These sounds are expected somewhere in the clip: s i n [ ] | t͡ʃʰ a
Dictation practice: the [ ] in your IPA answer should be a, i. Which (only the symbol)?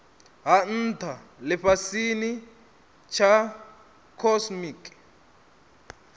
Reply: i